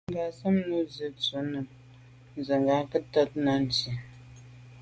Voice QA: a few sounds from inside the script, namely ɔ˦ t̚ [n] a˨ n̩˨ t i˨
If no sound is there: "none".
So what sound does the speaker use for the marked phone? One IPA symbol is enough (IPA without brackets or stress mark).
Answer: n